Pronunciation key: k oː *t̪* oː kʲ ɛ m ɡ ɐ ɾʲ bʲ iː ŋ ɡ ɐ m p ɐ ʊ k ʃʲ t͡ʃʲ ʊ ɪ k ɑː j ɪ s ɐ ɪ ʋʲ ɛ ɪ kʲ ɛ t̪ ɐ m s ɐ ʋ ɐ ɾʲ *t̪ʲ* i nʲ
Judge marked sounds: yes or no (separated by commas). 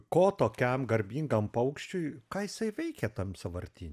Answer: yes, yes